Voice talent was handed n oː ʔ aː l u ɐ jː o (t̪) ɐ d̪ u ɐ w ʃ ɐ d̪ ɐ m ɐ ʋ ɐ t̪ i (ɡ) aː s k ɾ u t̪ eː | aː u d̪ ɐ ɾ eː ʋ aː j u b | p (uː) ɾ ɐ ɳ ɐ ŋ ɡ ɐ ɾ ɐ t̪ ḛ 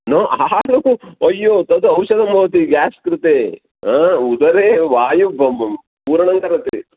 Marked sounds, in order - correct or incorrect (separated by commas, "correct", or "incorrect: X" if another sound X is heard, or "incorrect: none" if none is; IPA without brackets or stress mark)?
correct, correct, correct